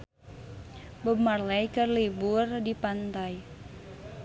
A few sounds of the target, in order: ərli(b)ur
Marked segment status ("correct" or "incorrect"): correct